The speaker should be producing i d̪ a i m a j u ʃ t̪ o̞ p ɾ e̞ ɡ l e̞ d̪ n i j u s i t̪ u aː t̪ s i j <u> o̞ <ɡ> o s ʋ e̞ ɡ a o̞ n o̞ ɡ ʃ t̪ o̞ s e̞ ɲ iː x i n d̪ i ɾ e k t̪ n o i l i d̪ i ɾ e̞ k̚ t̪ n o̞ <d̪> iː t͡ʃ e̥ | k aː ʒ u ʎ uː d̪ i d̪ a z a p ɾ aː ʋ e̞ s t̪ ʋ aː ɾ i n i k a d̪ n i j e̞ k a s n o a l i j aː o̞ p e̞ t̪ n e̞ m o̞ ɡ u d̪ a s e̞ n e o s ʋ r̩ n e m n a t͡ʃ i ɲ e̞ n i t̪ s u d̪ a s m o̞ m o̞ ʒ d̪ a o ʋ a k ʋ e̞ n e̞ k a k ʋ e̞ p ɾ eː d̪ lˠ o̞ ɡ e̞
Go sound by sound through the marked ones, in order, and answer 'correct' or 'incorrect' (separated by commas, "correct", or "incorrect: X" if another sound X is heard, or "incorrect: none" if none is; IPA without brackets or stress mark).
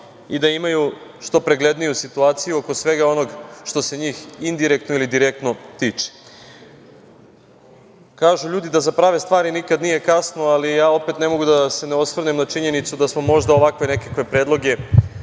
correct, incorrect: k, incorrect: t̪